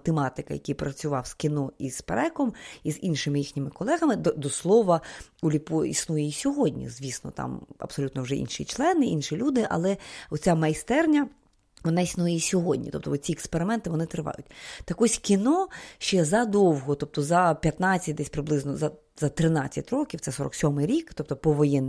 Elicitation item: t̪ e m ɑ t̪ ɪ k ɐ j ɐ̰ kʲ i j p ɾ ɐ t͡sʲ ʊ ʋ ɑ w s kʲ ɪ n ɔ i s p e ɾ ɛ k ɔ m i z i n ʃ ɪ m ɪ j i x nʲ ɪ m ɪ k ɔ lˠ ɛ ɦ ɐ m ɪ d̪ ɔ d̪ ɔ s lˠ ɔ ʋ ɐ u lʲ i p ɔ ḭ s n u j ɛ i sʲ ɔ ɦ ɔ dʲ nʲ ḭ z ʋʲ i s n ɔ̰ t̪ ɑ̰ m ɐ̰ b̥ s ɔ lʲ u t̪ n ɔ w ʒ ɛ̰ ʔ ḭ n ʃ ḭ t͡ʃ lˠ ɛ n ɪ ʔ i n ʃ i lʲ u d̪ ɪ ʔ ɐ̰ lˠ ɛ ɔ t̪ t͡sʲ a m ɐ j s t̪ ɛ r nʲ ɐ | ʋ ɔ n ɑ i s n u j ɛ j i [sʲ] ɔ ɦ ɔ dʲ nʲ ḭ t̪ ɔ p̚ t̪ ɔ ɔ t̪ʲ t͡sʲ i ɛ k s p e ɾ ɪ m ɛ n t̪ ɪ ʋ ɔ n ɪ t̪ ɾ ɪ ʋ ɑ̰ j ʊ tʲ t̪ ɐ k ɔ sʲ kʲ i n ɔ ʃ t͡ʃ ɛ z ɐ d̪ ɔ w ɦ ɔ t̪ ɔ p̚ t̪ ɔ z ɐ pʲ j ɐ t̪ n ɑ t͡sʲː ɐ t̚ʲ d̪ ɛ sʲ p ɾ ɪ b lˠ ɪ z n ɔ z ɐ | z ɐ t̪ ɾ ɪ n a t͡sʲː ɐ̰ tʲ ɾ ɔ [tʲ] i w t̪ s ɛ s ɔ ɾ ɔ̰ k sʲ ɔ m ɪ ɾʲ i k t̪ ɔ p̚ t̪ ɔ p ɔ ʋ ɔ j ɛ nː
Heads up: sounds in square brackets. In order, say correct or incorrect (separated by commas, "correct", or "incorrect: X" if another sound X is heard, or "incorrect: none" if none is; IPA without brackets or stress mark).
correct, incorrect: kʲ